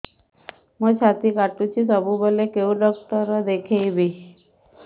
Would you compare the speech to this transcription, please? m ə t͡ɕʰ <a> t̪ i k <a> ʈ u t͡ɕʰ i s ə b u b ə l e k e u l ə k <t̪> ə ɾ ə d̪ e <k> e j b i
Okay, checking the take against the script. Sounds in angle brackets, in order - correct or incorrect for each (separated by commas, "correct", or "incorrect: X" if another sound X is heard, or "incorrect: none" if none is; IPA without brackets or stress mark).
correct, correct, correct, incorrect: kʰ